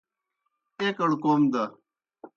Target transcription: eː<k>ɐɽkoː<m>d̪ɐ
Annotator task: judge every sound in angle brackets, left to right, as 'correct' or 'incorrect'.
correct, correct

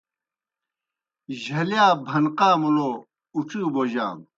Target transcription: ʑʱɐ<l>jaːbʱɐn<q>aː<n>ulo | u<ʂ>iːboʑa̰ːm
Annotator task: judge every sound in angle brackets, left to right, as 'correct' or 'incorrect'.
correct, correct, incorrect: m, incorrect: ʈ͡ʂ

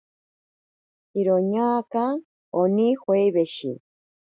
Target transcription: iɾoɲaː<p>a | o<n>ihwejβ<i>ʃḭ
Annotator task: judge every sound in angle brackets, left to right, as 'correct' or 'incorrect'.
incorrect: k, correct, incorrect: e

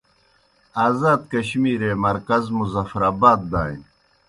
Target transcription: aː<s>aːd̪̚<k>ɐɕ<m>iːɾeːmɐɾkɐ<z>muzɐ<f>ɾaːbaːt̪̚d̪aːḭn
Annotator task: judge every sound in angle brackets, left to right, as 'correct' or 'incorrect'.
incorrect: z, correct, correct, correct, correct

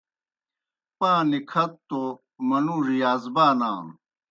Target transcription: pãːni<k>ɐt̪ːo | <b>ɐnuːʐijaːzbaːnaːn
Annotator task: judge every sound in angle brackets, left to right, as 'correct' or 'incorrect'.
incorrect: kʰ, incorrect: m

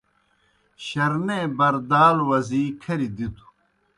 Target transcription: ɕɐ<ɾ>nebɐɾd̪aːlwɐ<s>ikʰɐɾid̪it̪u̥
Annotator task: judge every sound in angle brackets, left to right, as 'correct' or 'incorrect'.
correct, incorrect: z

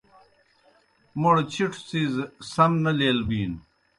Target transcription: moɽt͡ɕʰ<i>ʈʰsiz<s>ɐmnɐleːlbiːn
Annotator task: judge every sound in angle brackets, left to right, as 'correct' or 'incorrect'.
correct, correct

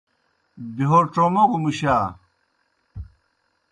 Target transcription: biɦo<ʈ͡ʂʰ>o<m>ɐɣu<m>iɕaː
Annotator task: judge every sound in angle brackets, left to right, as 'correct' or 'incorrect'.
incorrect: ʈ͡ʂ, correct, correct

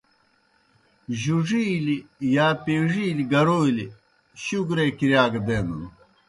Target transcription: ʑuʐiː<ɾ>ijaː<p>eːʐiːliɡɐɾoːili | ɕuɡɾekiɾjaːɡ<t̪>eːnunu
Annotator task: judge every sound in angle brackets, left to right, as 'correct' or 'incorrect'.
incorrect: l, correct, incorrect: d̪

